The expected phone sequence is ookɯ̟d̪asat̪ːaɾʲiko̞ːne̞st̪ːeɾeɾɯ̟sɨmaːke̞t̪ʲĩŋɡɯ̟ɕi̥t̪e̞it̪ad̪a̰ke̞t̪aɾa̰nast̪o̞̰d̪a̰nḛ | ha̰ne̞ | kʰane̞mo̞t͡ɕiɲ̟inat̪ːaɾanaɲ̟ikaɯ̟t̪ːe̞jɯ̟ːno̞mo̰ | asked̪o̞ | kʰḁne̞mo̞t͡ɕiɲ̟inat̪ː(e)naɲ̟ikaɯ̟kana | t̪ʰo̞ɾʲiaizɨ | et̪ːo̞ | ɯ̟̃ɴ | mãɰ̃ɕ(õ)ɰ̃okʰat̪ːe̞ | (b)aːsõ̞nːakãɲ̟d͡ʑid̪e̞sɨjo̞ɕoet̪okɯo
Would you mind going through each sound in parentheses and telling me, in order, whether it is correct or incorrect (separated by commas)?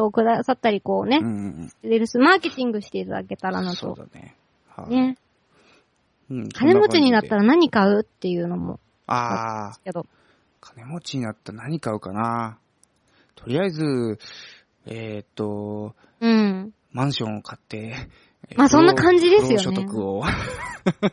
incorrect, correct, incorrect